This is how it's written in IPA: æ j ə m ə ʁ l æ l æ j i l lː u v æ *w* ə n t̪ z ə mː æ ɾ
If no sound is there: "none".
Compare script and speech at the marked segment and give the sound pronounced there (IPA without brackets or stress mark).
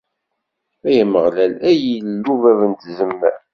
v